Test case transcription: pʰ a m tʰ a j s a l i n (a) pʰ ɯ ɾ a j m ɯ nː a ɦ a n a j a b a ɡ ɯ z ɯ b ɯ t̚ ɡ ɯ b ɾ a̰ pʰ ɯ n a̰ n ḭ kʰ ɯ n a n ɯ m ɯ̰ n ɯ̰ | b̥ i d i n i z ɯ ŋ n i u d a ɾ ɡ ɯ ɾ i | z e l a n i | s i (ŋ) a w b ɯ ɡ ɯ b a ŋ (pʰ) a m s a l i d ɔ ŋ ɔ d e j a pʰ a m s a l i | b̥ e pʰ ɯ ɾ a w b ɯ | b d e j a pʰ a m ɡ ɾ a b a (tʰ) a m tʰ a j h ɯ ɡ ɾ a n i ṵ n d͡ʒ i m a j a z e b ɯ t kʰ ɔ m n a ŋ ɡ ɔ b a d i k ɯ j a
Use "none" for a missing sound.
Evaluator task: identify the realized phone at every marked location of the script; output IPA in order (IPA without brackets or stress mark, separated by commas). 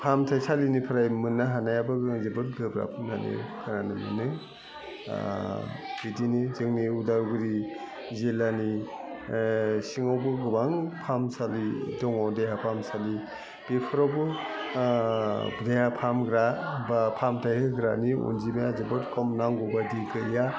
i, ŋ, pʰ, pʰ